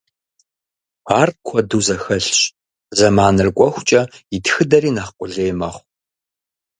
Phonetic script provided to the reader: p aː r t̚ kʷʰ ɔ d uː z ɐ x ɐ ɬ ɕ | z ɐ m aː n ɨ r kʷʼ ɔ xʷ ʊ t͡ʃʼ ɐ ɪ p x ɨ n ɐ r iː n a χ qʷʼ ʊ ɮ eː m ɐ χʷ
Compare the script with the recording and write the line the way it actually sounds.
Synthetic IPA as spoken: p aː r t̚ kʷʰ ɔ d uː z ɐ x ɐ ɬ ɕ | z ɐ m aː n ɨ r kʷʼ ɔ xʷ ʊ t͡ʃʼ ɐ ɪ t x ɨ d ɐ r iː n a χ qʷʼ ʊ ɮ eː m ɐ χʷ